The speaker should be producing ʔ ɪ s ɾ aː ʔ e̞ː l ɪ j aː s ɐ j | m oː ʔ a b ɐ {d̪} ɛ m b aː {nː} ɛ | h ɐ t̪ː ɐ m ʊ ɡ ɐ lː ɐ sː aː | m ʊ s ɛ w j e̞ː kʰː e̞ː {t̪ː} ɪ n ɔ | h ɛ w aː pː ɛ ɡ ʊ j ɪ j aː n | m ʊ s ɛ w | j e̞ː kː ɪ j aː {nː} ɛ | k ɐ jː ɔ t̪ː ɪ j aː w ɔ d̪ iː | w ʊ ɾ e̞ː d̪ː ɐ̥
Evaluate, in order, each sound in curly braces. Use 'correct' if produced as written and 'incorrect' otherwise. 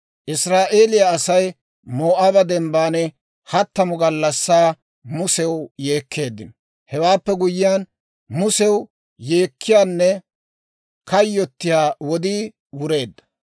correct, incorrect: n, incorrect: d̪ː, correct

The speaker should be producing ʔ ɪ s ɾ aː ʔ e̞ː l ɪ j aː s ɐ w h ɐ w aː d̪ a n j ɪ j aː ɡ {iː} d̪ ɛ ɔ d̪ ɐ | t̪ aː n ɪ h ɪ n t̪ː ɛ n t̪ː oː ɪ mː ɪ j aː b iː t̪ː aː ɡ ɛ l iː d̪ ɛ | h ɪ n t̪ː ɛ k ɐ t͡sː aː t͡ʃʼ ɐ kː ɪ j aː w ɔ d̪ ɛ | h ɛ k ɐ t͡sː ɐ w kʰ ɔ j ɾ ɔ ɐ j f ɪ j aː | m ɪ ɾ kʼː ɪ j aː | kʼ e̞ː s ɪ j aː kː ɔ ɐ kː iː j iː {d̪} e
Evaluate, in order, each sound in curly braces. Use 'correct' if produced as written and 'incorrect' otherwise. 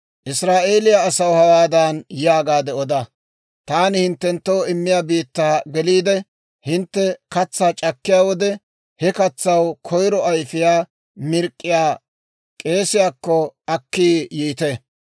incorrect: aː, incorrect: t̪

